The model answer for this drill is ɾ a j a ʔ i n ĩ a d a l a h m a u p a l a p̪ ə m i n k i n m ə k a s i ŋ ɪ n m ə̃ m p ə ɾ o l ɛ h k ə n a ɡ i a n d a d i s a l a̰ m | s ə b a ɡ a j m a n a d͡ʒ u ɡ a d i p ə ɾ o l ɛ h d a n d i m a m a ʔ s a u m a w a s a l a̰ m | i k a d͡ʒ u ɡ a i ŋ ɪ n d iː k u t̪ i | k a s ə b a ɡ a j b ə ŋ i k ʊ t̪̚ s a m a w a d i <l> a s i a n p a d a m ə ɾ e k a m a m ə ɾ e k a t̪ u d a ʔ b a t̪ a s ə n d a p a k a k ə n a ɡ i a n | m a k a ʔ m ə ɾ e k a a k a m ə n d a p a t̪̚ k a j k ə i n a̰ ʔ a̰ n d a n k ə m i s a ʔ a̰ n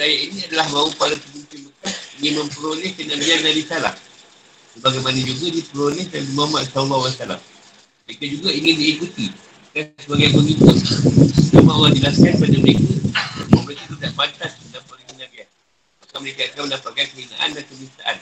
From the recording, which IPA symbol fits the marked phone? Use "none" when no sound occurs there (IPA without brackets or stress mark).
l